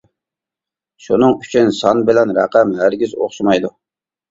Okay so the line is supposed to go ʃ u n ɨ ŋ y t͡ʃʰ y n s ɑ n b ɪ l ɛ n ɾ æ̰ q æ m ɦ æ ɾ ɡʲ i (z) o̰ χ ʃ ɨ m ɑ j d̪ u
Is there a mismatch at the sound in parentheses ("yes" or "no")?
no